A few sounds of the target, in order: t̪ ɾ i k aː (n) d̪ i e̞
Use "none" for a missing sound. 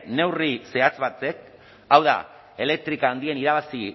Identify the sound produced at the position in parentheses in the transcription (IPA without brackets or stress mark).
n